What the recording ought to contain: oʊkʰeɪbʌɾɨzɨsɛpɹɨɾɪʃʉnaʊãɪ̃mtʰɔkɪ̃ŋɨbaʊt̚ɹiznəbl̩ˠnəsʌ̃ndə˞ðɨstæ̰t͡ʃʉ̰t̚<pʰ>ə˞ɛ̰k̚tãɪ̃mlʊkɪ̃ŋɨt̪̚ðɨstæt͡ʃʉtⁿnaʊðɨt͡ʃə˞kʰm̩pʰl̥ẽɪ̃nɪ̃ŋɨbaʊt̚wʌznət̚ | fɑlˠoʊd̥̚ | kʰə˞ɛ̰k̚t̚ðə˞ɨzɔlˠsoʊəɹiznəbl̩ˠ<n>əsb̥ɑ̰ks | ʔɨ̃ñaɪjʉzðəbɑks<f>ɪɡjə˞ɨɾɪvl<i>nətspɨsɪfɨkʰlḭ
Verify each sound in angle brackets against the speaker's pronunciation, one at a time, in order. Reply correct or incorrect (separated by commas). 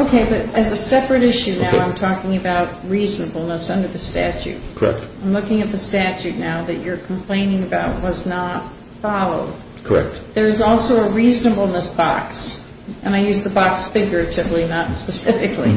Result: incorrect, correct, correct, correct